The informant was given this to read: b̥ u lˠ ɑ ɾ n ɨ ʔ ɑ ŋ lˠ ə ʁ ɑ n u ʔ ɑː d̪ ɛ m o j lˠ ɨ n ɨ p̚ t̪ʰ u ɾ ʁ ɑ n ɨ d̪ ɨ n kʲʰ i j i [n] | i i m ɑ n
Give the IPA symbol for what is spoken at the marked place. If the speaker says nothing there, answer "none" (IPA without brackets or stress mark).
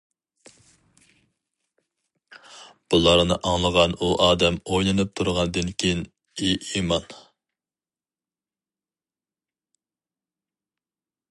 n